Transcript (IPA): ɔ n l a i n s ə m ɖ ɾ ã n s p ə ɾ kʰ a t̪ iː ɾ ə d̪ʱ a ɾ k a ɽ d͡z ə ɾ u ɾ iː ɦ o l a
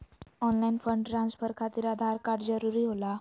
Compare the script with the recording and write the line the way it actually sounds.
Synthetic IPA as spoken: ɔ n l a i n f ə ɳ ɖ ɾ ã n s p ə ɾ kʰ a t̪ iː ɾ a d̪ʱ a ɾ k a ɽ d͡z ə ɾ u ɾ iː ɦ o l a

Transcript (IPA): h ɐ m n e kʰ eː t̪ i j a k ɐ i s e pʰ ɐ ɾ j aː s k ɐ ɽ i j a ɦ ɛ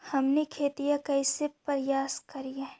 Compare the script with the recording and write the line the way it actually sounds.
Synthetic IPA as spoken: h ɐ m n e kʰ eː t̪ i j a k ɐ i s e p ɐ ɾ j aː s k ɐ ɾ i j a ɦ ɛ

